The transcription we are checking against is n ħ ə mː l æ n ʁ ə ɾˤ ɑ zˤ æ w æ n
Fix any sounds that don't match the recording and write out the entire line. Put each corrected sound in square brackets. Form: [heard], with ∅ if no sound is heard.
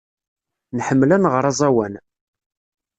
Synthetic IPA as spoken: n ħ ə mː l æ n ʁ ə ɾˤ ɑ zˤ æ w æ n